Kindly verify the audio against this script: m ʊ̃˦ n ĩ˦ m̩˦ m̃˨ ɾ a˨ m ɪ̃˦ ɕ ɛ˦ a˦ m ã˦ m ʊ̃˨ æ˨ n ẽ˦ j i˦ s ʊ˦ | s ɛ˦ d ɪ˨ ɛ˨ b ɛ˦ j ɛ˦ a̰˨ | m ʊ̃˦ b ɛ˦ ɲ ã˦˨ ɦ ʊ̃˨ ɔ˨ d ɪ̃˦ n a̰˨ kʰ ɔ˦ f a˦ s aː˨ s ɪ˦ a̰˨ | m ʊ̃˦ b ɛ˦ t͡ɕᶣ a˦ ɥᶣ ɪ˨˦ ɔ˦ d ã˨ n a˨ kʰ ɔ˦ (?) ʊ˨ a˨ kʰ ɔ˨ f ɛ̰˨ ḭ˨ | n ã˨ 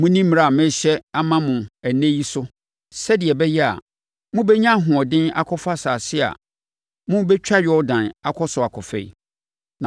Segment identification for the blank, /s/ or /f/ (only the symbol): s